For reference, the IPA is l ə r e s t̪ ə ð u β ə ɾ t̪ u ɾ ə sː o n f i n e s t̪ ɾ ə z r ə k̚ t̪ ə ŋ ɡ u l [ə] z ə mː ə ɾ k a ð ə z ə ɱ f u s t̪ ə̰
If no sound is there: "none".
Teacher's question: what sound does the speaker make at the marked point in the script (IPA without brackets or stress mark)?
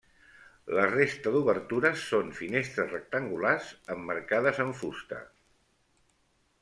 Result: a